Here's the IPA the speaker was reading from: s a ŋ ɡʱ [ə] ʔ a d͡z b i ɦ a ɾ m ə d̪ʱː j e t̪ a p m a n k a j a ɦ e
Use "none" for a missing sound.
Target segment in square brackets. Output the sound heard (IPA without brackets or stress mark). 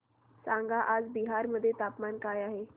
a